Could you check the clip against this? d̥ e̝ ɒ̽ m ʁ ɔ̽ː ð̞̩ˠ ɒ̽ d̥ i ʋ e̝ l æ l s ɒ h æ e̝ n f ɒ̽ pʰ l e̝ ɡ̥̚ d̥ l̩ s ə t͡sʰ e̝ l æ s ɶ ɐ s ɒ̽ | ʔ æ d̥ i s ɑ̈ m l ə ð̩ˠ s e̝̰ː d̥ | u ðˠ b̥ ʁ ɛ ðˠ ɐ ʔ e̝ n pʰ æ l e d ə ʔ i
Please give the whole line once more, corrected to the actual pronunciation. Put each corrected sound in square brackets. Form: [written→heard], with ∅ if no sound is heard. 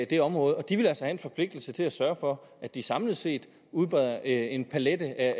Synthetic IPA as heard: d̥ e̝ ɒ̽ m ʁ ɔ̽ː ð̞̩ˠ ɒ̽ d̥ i ʋ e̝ l æ l s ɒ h æ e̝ n f ɒ̽ pʰ l e̝ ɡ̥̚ d̥ l̩ s ə t͡sʰ e̝ l æ s ɶ ɐ [s→f] ɒ̽ | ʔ æ d̥ i s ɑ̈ m l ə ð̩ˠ s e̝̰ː d̥ | u ðˠ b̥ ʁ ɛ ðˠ ɐ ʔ e̝ n pʰ æ l e d ə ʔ [i→æ]